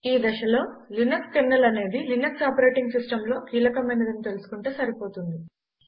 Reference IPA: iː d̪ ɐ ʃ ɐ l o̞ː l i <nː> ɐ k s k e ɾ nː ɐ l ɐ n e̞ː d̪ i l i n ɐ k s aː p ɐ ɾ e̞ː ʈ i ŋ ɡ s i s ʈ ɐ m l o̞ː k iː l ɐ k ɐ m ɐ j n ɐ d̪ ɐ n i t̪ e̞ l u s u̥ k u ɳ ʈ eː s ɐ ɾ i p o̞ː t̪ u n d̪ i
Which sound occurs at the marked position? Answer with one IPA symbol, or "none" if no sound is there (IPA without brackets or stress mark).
n